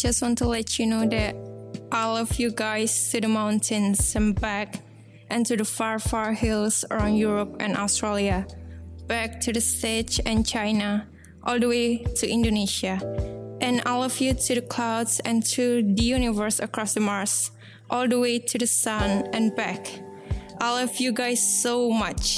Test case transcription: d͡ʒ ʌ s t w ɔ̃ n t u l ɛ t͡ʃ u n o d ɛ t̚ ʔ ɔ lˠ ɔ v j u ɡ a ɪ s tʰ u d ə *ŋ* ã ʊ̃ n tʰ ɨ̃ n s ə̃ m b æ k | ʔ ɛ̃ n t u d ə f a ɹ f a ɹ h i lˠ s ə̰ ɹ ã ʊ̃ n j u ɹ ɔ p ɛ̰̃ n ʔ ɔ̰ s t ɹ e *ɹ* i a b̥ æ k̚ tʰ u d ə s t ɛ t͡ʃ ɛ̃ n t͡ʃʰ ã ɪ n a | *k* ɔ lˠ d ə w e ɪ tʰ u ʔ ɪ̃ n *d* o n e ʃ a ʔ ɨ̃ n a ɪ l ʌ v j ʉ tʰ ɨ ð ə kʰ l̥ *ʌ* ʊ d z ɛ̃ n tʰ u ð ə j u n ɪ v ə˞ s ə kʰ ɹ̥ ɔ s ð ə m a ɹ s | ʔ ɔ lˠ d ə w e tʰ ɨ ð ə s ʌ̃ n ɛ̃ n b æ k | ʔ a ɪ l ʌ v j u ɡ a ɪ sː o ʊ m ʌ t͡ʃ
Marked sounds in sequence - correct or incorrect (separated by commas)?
incorrect, incorrect, incorrect, correct, incorrect